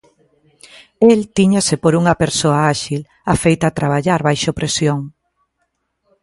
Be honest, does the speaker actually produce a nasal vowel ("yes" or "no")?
no